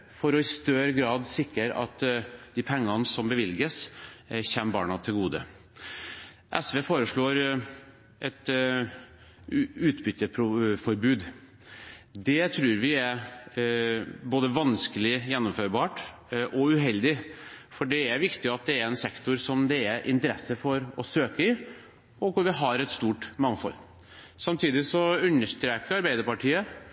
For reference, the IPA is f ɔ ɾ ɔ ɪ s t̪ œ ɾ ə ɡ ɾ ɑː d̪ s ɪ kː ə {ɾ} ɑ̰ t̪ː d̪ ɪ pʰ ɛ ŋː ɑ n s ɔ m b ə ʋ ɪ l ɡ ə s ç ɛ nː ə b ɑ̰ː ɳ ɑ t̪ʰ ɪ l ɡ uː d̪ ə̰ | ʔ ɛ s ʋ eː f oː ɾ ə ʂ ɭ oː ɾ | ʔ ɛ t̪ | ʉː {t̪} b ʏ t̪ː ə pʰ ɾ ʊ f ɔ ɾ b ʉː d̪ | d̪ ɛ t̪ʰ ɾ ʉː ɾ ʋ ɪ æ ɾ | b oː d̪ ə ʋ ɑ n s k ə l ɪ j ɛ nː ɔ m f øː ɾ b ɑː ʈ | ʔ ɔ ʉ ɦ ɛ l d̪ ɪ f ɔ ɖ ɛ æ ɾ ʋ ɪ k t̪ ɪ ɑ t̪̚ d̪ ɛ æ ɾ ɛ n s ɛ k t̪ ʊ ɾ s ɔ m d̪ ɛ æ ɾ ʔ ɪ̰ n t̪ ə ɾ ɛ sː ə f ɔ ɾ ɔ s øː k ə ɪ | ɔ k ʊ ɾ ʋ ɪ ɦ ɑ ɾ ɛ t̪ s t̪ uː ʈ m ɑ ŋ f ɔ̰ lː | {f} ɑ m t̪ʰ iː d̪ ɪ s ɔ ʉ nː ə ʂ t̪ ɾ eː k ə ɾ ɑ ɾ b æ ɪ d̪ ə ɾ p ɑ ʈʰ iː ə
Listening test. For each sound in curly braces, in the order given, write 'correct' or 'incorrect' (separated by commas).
correct, correct, incorrect